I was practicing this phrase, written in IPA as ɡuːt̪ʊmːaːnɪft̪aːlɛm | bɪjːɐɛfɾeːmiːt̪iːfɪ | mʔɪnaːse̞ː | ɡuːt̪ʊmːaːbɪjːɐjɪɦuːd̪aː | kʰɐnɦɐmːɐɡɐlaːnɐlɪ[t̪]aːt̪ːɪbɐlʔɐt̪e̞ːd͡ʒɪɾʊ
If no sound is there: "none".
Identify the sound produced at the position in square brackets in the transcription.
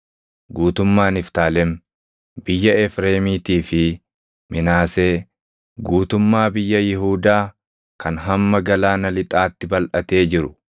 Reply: t̪ʼ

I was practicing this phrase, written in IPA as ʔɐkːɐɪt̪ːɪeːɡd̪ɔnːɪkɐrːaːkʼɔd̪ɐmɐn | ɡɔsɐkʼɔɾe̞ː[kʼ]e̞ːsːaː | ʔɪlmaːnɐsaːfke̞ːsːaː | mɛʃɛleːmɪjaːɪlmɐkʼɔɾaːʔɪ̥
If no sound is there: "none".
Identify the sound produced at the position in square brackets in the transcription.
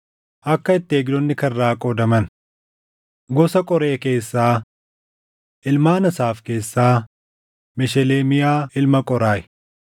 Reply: k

